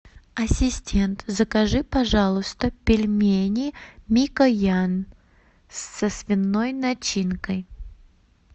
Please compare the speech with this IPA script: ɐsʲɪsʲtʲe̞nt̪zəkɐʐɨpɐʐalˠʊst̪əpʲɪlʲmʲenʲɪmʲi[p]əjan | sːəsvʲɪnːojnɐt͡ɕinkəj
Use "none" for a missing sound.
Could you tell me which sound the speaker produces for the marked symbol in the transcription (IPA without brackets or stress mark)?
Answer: k